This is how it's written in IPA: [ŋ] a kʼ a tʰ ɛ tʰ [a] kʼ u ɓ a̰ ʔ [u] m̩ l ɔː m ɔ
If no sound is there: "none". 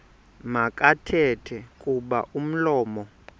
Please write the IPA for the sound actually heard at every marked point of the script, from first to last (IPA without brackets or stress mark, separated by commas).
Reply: m, ɛ, u